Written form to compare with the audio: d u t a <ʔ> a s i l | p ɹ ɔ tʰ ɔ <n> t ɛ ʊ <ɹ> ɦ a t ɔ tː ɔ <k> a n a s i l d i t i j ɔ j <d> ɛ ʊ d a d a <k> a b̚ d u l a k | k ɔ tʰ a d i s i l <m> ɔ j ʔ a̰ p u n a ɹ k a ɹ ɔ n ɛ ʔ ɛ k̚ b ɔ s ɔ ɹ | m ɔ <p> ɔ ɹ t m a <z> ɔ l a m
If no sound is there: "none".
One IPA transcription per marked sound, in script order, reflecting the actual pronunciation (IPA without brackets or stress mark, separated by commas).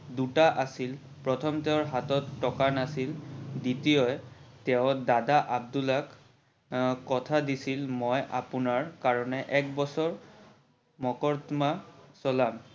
ʔ, m, ɹ, k, t, ʔ, m, k, s